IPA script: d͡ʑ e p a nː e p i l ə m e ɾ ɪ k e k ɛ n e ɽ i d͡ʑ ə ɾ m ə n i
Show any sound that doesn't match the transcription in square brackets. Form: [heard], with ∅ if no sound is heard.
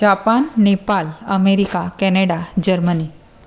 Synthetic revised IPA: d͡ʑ [a] p a nː e p [a] l ə m e ɾ [i] k [a] k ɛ n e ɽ [a] d͡ʑ ə ɾ m ə n i